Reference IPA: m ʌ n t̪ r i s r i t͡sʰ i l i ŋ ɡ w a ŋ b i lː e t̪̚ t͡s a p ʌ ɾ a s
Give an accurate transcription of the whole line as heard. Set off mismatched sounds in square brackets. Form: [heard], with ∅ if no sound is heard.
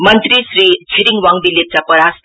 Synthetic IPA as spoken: m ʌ n t̪ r i s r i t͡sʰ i [ɾ] i ŋ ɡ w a ŋ b i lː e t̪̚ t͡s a p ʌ ɾ a s